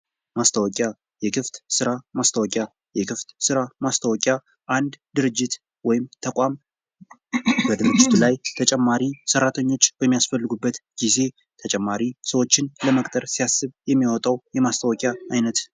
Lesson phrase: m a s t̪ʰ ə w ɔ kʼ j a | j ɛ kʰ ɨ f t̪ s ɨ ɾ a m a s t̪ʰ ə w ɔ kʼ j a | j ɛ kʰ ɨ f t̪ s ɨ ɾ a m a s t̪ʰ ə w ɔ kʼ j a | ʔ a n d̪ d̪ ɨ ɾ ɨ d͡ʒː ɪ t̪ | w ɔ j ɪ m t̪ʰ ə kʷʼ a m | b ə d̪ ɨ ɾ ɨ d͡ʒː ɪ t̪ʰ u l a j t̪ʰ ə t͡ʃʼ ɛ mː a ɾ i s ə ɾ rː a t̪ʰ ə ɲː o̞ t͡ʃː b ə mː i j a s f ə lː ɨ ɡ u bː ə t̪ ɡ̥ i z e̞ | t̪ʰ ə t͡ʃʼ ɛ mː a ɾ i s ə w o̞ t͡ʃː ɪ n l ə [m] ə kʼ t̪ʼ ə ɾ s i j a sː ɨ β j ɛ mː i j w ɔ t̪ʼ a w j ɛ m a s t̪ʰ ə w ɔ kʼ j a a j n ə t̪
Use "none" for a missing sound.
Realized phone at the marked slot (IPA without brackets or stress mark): m